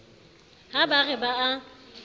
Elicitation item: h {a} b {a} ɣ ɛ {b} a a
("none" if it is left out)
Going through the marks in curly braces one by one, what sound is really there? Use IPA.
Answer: a, a, b

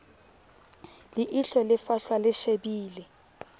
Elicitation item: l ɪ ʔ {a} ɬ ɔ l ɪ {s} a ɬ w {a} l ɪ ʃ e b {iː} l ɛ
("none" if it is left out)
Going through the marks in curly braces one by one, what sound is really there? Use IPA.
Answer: i, f, a, iː

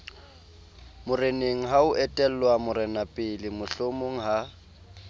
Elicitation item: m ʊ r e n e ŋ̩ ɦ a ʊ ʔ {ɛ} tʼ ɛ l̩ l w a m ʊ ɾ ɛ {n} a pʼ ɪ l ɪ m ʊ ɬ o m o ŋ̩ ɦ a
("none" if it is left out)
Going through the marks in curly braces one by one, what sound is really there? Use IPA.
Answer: ɛ, n

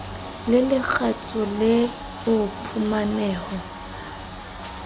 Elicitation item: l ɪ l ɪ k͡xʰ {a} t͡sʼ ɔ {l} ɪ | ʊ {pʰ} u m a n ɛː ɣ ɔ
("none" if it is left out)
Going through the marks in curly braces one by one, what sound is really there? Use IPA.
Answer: a, l, pʰ

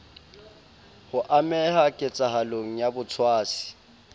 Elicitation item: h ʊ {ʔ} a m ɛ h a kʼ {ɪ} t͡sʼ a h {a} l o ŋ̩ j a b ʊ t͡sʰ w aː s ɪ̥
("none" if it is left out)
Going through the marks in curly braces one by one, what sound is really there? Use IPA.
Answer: ʔ, ɪ, a

